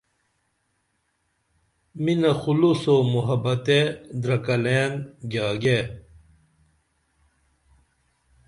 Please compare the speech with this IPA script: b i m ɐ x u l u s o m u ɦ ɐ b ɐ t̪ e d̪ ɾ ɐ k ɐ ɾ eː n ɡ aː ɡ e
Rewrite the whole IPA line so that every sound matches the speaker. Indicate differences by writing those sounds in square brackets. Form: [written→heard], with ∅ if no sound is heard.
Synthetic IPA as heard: [b→m] i [m→n] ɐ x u l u s o m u ɦ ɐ b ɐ t̪ e d̪ ɾ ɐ k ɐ [ɾ→l] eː n ɡ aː ɡ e